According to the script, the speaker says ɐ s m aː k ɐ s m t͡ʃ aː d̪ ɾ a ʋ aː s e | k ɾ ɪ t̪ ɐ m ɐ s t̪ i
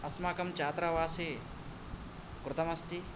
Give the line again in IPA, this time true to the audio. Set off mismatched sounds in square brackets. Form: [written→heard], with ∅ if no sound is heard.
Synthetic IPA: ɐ s m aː k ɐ [s→∅] m t͡ʃ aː [d̪→t̪] ɾ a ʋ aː s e | k ɾ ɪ t̪ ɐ m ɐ s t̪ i

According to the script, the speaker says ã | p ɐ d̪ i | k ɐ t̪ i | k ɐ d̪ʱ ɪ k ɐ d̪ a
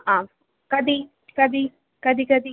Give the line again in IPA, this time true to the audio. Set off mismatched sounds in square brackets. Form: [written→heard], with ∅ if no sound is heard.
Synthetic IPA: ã | [p→k] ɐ d̪ i | k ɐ [t̪→d̪] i | k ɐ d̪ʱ [ɪ→i] k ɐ d̪ [a→i]

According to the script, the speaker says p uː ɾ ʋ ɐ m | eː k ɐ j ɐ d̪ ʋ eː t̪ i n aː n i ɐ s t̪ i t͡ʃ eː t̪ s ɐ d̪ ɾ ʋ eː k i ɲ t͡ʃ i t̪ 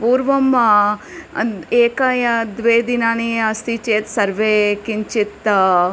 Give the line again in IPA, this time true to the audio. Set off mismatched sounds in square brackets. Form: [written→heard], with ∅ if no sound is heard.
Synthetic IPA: p uː ɾ ʋ ɐ m | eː k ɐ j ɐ d̪ ʋ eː [t̪→d̪] i n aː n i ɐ s t̪ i t͡ʃ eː t̪ s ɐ [d̪→∅] ɾ ʋ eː k i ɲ t͡ʃ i t̪

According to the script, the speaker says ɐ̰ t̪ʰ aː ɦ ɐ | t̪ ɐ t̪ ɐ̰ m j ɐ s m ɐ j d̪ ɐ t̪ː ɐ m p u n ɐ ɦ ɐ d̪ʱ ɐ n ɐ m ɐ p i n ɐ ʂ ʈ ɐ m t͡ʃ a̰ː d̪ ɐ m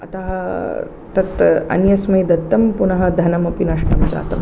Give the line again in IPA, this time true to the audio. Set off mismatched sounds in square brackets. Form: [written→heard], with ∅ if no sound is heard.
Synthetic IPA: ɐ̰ [t̪ʰ→t̪] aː ɦ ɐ | t̪ ɐ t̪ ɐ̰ [m→n] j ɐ s m ɐ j d̪ ɐ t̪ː ɐ m p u n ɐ ɦ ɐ d̪ʱ ɐ n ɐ m ɐ p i n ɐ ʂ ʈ ɐ m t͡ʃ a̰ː [d̪→t̪] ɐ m

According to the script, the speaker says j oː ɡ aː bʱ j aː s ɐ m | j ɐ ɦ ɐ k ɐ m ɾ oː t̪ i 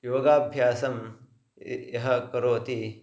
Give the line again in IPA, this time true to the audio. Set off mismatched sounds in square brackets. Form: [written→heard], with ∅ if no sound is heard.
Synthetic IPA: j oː ɡ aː bʱ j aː s ɐ m | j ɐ ɦ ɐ k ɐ [m→∅] ɾ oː t̪ i

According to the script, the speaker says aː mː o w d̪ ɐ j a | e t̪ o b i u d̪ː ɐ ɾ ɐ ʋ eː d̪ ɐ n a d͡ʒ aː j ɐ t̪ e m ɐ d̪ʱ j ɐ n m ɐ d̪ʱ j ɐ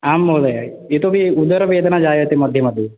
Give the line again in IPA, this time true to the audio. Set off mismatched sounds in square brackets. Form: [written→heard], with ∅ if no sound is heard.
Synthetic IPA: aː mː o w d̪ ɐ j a | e t̪ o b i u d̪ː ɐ ɾ ɐ ʋ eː d̪ ɐ n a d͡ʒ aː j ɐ t̪ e m ɐ d̪ʱ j ɐ [n→∅] m ɐ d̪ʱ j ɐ

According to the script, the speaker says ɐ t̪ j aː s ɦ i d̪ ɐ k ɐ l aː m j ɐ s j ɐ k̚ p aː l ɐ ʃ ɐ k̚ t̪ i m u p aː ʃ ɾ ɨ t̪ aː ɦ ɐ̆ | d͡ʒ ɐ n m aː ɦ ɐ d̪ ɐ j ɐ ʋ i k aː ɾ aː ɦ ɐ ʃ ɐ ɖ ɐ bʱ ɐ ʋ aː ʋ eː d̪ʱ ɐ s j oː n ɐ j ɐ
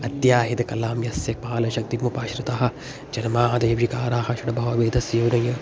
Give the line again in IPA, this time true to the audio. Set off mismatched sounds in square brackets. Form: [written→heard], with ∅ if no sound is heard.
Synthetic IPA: ɐ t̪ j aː [s→∅] ɦ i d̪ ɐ k ɐ l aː m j ɐ s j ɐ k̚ p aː l ɐ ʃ ɐ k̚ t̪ i m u p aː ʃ ɾ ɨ t̪ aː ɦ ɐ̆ | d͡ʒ ɐ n m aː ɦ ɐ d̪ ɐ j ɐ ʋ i k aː ɾ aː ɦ ɐ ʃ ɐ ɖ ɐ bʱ ɐ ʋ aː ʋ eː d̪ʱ ɐ s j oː n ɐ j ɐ

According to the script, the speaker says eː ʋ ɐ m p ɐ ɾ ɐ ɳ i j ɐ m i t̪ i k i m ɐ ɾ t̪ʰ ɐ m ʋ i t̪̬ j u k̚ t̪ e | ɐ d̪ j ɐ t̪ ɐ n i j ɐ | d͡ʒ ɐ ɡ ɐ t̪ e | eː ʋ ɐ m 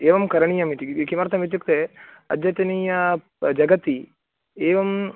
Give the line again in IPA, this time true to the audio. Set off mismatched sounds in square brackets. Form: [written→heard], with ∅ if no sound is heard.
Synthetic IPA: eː ʋ ɐ m [p→k] ɐ ɾ ɐ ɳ i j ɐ m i t̪ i k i m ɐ ɾ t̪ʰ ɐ m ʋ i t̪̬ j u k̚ t̪ e | ɐ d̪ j ɐ t̪ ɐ n i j ɐ | d͡ʒ ɐ ɡ ɐ t̪ [e→i] | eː ʋ ɐ m

